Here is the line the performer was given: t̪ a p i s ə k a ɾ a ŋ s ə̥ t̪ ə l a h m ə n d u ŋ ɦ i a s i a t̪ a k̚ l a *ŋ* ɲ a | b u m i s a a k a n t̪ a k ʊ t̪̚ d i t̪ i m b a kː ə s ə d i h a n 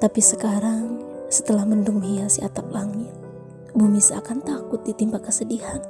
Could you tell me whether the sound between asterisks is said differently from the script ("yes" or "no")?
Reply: no